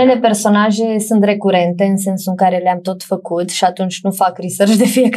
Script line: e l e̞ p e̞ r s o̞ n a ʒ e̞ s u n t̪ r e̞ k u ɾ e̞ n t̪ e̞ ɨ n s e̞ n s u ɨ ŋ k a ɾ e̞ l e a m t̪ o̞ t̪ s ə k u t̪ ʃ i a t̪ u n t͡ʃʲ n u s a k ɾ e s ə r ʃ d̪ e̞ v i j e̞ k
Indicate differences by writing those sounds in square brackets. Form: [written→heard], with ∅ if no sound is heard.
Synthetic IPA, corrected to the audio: e l e̞ p e̞ r s o̞ n a ʒ e̞ s u n t̪ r e̞ k u ɾ e̞ n t̪ e̞ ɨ n s e̞ n s u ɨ ŋ k a ɾ e̞ l e a m t̪ o̞ t̪ [s→f] ə k u t̪ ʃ i a t̪ u n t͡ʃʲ n u [s→f] a k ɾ [e→i] s ə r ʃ d̪ e̞ [v→f] i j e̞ k